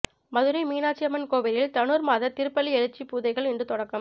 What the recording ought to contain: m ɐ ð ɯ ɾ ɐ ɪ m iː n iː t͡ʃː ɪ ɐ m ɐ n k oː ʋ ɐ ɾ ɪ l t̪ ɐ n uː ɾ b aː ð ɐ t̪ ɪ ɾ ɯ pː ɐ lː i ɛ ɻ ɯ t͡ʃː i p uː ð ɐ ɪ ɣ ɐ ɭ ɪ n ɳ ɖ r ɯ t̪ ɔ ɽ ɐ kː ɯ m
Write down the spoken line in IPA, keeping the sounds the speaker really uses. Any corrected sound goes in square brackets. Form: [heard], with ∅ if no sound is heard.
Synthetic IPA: m ɐ ð ɯ ɾ ɐ ɪ m iː n [aː] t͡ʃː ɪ ɐ m ɐ n k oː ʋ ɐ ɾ ɪ l t̪ ɐ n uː ɾ [m] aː ð ɐ t̪ ɪ ɾ ɯ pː ɐ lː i ɛ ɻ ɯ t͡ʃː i p uː ð ɐ ɪ ɣ ɐ ɭ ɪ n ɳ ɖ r ɯ t̪ ɔ ɽ ɐ kː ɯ m

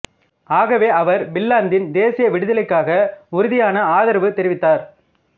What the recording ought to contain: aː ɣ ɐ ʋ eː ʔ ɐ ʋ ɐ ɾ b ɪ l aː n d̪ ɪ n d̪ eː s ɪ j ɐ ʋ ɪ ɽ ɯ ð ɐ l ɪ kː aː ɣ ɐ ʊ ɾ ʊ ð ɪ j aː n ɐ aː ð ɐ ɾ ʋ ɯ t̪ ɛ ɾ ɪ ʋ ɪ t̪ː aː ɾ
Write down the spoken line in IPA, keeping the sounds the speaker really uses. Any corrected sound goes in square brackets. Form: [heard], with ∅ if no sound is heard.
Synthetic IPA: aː ɣ ɐ ʋ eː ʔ ɐ ʋ ɐ ɾ b ɪ [lː] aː n d̪ ɪ n d̪ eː s ɪ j ɐ ʋ ɪ ɽ ɯ ð ɐ l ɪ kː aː ɣ ɐ ʊ ɾ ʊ ð ɪ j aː n ɐ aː ð ɐ ɾ ʋ ɯ t̪ ɛ ɾ ɪ ʋ ɪ t̪ː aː ɾ

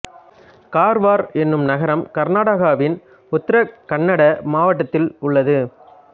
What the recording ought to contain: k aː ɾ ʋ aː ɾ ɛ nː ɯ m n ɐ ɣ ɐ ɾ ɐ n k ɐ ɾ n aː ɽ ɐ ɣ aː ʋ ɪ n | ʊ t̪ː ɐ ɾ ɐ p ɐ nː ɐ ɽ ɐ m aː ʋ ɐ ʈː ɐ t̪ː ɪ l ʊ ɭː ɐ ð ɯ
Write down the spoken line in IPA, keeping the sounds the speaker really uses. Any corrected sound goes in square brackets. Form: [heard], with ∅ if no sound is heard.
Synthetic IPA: k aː ɾ ʋ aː ɾ ɛ nː ɯ m n ɐ ɣ ɐ ɾ ɐ [m] k ɐ ɾ n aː ɽ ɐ ɣ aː ʋ ɪ n | ʊ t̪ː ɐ ɾ ɐ [k] ɐ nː ɐ ɽ ɐ m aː ʋ ɐ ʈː ɐ t̪ː ɪ l ʊ ɭː ɐ ð ɯ

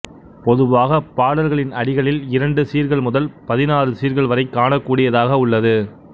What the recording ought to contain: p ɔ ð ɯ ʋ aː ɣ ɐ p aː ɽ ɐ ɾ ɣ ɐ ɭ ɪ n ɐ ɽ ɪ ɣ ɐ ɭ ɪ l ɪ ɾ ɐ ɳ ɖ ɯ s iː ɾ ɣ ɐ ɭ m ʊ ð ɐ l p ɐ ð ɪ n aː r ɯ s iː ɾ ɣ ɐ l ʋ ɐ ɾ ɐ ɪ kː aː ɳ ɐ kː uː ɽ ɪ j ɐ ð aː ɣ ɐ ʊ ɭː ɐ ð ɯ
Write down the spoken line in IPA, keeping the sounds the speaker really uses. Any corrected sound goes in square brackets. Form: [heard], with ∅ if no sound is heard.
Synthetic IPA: p ɔ ð ɯ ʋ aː ɣ ɐ p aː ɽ ɐ ɾ ɣ ɐ ɭ ɪ n ɐ ɽ ɪ ɣ ɐ ɭ ɪ l ɪ ɾ ɐ ɳ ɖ ɯ s iː ɾ ɣ ɐ ɭ m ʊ ð ɐ l p ɐ ð ɪ n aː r ɯ s iː ɾ ɣ ɐ [ɭ] ʋ ɐ ɾ ɐ ɪ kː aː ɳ ɐ kː uː ɽ ɪ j ɐ ð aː ɣ ɐ ʊ ɭː ɐ ð ɯ

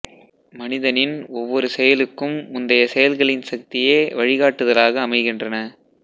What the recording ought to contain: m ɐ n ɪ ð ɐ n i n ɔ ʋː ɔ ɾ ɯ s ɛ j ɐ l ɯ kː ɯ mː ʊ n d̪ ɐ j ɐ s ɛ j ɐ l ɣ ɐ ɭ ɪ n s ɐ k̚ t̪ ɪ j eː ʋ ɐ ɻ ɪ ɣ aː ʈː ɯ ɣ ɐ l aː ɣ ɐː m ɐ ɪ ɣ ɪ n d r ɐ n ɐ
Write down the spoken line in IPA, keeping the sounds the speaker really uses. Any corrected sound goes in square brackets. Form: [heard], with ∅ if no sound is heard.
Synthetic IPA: m ɐ n ɪ ð ɐ n [ɪ] n ɔ ʋː ɔ ɾ ɯ s ɛ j ɐ l ɯ kː ɯ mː ʊ n d̪ ɐ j ɐ s ɛ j ɐ l ɣ ɐ ɭ ɪ n s ɐ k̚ t̪ ɪ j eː ʋ ɐ ɻ ɪ ɣ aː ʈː ɯ [ð] ɐ l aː ɣ ɐː m ɐ ɪ ɣ ɪ n d r ɐ n ɐ

